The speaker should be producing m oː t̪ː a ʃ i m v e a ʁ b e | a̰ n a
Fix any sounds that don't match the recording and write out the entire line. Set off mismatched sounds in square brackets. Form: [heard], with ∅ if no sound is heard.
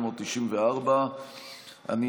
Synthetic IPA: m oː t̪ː [i] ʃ i m v e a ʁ b [a] | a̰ n [i]